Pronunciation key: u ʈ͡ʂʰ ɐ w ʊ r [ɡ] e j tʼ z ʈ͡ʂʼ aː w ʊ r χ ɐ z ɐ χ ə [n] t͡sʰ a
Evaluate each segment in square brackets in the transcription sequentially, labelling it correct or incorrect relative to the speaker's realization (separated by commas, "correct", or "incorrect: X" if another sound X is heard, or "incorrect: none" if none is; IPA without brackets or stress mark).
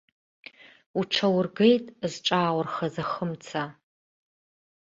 correct, incorrect: m